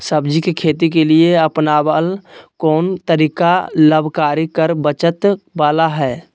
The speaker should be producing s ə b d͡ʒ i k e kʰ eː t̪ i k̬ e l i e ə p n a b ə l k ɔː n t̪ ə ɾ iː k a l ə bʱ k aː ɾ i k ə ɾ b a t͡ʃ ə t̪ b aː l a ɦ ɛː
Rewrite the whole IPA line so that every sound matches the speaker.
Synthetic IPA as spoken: s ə b d͡ʒ i k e kʰ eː t̪ i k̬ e l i e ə p n a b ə l k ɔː n t̪ ə ɾ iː k a l ə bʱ k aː ɾ i k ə ɾ b ə t͡ʃ ə t̪ b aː l a ɦ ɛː